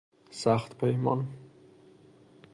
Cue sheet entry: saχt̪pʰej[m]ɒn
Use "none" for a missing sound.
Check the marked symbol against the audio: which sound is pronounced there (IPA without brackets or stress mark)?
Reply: m